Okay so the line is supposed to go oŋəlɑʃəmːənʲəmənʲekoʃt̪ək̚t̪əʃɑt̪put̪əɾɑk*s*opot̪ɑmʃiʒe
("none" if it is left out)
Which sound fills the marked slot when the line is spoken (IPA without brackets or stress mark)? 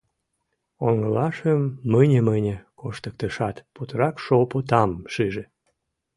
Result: ʃ